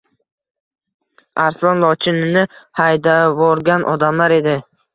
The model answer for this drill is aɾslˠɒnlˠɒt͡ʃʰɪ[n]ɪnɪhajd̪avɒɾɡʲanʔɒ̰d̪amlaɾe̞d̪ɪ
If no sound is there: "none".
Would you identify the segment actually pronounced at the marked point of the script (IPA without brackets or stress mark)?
n